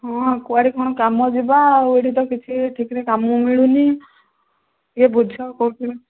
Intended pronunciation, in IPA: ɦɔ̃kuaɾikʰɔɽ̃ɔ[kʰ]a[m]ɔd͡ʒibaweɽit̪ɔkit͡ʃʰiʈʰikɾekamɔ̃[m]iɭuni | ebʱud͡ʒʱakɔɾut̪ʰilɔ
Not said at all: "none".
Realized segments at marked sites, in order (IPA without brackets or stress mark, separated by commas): k, m, m